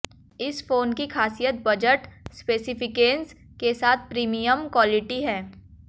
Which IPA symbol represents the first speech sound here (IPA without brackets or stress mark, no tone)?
ɪ